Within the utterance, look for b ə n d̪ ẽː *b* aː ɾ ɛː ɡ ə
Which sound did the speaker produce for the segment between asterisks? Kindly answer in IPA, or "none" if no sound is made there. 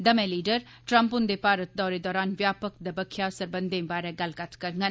b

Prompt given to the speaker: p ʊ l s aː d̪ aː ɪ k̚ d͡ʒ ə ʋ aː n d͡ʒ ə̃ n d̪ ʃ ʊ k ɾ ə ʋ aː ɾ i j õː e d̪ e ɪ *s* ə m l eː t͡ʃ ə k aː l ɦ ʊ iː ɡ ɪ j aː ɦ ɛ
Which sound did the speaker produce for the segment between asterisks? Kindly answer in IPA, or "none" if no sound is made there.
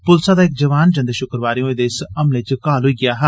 s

